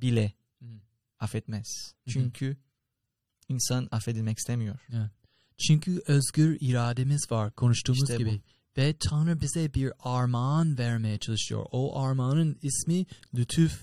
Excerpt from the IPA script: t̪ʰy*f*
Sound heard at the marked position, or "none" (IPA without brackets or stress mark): f